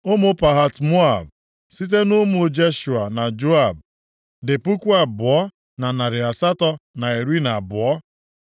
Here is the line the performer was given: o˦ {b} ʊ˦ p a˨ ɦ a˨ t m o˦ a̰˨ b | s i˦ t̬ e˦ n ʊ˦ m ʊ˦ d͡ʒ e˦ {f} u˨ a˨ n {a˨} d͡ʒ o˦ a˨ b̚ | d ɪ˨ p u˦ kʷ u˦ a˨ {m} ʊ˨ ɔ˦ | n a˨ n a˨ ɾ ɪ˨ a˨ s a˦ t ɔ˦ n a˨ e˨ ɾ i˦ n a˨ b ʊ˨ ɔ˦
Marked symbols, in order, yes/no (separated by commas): no, no, yes, no